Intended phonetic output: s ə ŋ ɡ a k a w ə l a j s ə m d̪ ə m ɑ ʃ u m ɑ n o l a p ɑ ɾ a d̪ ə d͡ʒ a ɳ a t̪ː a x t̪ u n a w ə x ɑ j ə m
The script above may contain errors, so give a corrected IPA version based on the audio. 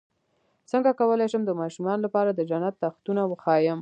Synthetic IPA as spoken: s ə ŋ ɡ a k a w ə l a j ʃ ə m d̪ ə m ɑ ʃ u m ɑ n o l a p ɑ ɾ a d̪ ə d͡ʒ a n a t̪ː a x t̪ u n a w ə x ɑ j ə m